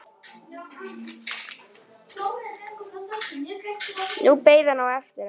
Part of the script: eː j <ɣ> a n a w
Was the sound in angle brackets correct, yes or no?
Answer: no